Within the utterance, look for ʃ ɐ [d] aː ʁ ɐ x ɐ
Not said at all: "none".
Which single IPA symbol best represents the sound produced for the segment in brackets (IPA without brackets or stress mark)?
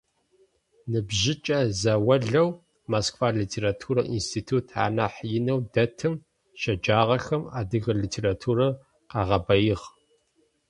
d͡ʒ